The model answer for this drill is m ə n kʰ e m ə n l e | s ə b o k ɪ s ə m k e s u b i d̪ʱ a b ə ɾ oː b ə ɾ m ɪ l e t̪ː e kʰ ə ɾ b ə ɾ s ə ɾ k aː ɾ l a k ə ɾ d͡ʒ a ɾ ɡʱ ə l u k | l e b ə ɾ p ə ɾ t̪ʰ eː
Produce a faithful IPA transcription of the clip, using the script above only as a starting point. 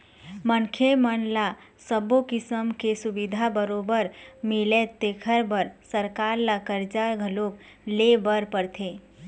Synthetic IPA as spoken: m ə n kʰ e m ə n l a | s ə b o k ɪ s ə m k e s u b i d̪ʱ a b ə ɾ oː b ə ɾ m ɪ l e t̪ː e kʰ ə ɾ b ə ɾ s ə ɾ k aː ɾ l a k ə ɾ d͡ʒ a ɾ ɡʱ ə l o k | l e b ə ɾ p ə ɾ t̪ʰ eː